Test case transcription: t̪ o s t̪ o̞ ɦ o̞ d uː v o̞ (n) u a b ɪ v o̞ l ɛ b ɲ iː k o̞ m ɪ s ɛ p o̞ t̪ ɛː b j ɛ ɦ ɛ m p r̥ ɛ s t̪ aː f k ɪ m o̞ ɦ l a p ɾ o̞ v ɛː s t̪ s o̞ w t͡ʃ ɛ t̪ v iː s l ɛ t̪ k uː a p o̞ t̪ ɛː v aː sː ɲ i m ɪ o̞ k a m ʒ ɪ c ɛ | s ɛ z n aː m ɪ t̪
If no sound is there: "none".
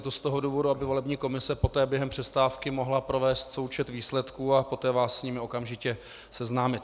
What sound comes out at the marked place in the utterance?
d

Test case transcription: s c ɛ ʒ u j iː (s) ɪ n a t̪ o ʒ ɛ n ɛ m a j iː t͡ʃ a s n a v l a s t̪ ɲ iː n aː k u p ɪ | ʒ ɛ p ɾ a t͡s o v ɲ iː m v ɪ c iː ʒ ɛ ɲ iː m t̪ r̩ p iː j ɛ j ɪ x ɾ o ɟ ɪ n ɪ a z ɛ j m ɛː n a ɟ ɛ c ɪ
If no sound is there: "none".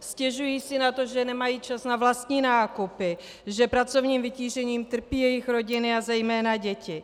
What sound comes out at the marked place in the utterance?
s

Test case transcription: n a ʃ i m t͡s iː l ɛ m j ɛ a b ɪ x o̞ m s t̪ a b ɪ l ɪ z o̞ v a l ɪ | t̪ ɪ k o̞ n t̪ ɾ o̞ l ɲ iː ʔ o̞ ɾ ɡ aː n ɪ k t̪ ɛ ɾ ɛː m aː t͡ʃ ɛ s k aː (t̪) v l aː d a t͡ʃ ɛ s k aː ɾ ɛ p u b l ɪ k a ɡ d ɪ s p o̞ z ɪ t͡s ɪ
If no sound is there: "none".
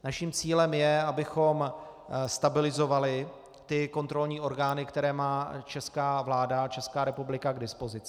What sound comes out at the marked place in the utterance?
none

